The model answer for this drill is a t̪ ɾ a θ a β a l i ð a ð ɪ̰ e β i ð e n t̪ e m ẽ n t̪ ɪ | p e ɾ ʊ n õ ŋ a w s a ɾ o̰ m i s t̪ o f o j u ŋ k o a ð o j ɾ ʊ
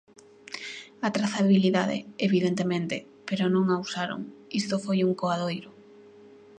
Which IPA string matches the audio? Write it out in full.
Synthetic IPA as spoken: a t̪ ɾ a θ a β i l i ð a ð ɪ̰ e β i ð e n t̪ e m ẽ n t̪ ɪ | p e ɾ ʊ n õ ŋ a w s a ɾ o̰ ŋ i s t̪ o f o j u ŋ k o a ð o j ɾ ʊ